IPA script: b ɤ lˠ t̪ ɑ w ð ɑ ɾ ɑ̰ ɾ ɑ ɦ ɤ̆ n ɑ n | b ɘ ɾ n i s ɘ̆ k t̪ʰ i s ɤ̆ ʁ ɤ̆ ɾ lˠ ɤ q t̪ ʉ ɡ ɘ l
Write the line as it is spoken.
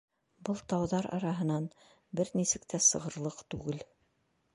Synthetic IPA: b ɤ lˠ t̪ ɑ w ð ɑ ɾ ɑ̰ ɾ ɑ ɦ ɤ̆ n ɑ n | b ɘ ɾ n i s ɘ̆ k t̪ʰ æ s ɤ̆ ʁ ɤ̆ ɾ lˠ ɤ q t̪ ʉ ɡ ɘ l